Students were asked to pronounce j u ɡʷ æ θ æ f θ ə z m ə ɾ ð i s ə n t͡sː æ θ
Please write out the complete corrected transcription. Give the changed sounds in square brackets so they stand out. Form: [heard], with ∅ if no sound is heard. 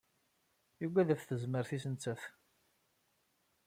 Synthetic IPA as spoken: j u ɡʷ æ [ð] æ f θ ə z m ə ɾ [θ] i s ə n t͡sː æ θ